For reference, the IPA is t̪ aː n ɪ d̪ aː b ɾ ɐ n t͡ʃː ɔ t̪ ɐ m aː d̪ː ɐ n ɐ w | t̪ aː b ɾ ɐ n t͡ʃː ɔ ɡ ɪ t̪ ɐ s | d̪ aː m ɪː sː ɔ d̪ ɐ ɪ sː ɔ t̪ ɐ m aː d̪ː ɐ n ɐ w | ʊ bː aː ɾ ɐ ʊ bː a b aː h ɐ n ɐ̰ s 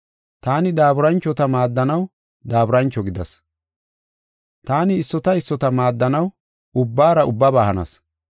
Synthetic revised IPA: t̪ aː n ɪ d̪ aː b ɾ ɐ n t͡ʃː ɔ t̪ ɐ m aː d̪ː ɐ n ɐ w | d̪ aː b ɾ ɐ n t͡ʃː ɔ ɡ ɪ d̪ ɐ s | t̪ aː n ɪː sː ɔ t̪ ɐ ɪ sː ɔ t̪ ɐ m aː d̪ː ɐ n ɐ w | ʊ bː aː ɾ ɐ ʊ bː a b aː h ɐ n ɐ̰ s